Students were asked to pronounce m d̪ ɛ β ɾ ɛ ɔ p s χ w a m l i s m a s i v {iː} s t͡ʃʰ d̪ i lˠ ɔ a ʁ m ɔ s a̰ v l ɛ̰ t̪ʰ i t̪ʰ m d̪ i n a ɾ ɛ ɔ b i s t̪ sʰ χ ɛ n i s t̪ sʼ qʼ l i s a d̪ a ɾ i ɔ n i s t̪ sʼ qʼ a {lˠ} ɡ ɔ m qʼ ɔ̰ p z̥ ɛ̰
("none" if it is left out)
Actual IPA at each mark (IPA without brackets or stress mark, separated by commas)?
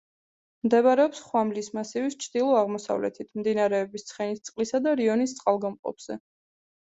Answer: i, lˠ